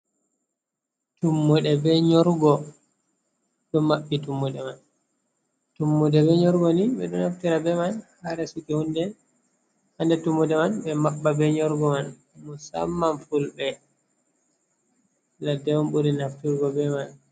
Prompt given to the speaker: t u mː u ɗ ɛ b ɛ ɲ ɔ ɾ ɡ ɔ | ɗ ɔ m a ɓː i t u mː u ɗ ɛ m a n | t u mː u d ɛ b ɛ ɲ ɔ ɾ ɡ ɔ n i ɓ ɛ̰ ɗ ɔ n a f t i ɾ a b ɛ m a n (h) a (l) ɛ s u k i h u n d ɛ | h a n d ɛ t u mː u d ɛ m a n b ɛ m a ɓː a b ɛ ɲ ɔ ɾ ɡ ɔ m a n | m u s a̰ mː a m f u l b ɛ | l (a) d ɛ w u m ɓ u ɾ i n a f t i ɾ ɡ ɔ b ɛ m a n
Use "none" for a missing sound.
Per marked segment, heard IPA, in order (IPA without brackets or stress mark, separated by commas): h, ɾ, a